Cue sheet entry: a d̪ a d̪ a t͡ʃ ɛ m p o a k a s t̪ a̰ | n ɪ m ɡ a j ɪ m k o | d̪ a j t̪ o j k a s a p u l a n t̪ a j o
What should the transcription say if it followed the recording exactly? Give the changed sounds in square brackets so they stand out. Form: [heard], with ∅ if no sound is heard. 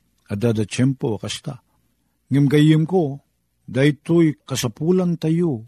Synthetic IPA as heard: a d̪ a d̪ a t͡ʃ ɛ m p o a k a s t̪ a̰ | [ŋ] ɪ m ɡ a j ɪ m k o | d̪ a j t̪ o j k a s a p u l a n t̪ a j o